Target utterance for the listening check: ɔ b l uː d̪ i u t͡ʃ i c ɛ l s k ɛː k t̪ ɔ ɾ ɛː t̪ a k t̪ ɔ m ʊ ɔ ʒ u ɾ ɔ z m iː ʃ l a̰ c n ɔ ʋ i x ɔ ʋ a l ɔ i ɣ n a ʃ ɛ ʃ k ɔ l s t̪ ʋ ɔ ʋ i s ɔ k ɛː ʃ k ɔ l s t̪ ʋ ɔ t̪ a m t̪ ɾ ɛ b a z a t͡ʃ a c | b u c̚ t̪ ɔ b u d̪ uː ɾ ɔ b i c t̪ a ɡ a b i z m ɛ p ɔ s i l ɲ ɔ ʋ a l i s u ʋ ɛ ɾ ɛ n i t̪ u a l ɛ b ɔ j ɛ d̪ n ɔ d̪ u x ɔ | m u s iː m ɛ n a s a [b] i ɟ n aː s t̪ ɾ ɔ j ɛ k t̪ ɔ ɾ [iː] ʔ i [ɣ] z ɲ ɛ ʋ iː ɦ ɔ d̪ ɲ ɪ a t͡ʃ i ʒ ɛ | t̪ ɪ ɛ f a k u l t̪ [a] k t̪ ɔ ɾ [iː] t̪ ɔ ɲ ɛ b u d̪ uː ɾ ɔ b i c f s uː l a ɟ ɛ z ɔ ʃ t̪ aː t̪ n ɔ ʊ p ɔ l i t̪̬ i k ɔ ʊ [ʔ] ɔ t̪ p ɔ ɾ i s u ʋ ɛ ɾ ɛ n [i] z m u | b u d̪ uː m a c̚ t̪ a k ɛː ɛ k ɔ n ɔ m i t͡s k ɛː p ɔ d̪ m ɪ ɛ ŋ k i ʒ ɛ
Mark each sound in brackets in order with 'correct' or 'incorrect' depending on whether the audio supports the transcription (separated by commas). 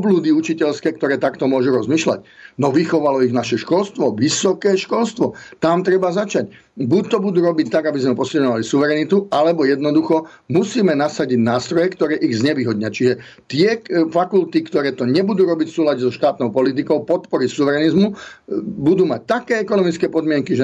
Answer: incorrect, incorrect, correct, incorrect, incorrect, incorrect, correct